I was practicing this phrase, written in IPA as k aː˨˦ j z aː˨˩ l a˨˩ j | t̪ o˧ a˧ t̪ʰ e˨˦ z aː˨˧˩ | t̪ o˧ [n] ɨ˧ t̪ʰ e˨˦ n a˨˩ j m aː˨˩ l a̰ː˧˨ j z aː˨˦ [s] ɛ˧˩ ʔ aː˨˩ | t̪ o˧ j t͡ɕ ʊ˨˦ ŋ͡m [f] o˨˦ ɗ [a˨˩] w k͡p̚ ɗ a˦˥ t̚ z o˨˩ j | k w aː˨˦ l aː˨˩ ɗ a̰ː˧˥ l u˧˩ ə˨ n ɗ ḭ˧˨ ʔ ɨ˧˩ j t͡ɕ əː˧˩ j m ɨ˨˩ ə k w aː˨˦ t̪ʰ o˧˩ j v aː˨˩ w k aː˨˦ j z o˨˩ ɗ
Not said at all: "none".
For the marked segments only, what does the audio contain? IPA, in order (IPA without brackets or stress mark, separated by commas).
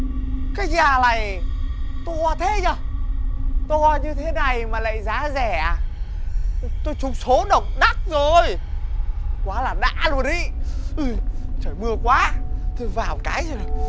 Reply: ɲ, z, s, ə˨˩